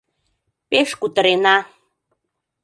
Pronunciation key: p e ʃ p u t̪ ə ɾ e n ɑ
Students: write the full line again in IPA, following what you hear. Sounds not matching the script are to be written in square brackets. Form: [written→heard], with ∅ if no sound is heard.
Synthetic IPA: p e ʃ [p→k] u t̪ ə ɾ e n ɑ